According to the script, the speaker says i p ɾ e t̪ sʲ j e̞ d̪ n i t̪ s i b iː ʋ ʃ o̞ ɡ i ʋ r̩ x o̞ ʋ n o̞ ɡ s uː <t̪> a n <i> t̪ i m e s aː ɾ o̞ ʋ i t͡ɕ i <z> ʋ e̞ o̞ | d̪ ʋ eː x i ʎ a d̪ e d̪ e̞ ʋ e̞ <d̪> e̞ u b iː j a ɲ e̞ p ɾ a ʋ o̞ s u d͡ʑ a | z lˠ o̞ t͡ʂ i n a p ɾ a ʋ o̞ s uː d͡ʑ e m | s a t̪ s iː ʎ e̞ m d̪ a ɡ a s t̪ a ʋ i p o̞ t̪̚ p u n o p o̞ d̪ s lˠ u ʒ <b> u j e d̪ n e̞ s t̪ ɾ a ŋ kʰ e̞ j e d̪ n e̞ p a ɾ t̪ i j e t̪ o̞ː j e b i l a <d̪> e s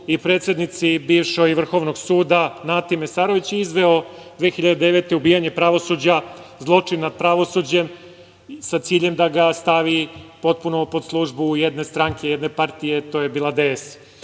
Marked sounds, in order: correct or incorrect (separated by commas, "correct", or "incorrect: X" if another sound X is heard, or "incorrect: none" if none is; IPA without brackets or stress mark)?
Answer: incorrect: d̪, incorrect: a, correct, incorrect: t̪, correct, correct